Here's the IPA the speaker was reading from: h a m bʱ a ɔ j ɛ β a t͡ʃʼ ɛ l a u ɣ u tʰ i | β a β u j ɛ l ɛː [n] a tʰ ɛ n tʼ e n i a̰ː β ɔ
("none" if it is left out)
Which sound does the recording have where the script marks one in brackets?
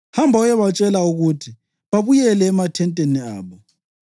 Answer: m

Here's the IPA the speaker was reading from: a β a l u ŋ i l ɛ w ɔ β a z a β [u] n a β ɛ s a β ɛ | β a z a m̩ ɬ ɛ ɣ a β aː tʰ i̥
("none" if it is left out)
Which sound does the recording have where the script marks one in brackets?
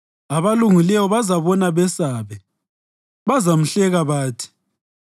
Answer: ɔ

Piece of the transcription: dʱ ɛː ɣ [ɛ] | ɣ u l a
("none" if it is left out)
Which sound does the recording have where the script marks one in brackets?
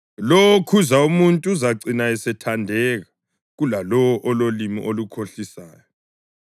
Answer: a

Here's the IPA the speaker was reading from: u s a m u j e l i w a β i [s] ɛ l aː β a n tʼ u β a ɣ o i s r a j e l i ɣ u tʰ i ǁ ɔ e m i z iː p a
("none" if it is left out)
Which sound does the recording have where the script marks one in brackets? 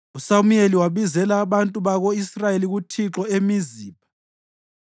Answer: z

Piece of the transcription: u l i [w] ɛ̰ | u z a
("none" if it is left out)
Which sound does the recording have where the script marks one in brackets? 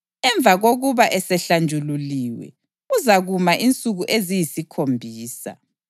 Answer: w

